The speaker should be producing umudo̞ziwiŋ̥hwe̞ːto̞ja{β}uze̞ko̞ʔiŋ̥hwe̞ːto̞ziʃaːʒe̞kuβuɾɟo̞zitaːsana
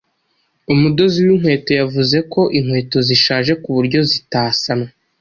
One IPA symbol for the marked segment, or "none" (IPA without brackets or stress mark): v